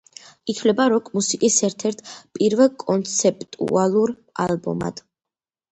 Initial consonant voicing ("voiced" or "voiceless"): voiceless